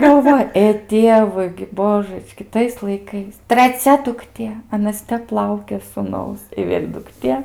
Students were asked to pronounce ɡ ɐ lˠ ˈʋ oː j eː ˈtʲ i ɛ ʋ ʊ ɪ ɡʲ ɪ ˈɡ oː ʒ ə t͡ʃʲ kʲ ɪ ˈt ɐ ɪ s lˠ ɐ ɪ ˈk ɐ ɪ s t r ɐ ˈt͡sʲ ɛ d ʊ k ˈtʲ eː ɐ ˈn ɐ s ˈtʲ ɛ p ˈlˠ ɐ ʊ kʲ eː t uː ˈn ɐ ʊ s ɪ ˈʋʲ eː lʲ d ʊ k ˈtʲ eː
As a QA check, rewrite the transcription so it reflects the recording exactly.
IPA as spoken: ɡ ɐ lˠ ˈʋ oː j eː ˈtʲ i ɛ ʋ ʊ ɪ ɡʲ ɪ ˈb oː ʒ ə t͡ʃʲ kʲ ɪ ˈt ɐ ɪ s lˠ ɐ ɪ ˈk ɐ ɪ s t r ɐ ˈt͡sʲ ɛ d ʊ k ˈtʲ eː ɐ ˈn ɐ s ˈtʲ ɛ p ˈlˠ ɐ ʊ kʲ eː s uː ˈn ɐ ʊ s ɪ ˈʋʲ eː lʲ d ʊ k ˈtʲ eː